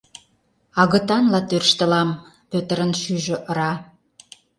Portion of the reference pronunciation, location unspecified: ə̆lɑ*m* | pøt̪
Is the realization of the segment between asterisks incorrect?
no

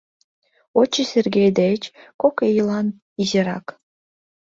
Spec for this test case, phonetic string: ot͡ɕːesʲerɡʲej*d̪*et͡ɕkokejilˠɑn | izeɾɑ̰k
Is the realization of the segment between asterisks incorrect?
no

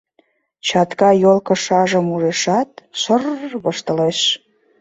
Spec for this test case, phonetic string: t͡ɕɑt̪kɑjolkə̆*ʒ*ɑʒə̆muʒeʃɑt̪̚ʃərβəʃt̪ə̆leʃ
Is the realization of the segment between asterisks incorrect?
yes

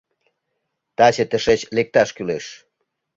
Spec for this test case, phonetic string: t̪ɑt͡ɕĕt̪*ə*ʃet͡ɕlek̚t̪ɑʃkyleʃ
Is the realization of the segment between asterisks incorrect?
no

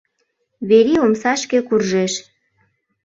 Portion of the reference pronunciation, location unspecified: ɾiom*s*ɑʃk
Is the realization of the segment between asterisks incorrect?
no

